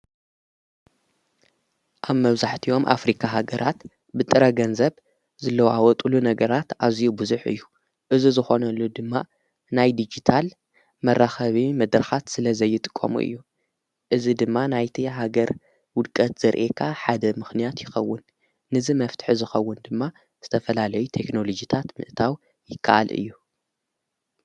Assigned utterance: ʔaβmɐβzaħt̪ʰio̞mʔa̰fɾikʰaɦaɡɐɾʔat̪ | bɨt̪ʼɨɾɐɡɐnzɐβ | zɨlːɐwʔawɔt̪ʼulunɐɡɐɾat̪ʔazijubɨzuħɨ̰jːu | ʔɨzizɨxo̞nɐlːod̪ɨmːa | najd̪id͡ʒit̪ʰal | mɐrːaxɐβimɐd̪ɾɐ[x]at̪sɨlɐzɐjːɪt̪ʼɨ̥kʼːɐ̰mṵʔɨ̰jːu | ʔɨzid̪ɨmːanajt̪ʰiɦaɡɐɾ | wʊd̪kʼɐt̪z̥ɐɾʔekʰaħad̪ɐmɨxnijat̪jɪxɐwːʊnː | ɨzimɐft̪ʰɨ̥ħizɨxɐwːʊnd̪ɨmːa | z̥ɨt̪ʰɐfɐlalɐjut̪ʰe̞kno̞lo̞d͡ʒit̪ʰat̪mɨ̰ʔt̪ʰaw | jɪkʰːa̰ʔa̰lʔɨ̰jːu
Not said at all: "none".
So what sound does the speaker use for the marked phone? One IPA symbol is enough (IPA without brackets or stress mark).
x